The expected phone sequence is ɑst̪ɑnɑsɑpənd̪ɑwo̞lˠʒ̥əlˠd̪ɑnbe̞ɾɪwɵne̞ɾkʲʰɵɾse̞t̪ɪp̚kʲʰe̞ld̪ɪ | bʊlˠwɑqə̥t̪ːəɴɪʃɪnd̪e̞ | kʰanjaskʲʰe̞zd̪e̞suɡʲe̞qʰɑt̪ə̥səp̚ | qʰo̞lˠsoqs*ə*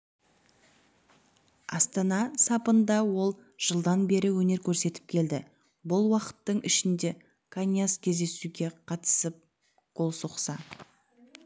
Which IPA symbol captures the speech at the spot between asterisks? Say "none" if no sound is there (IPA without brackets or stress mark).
ɑ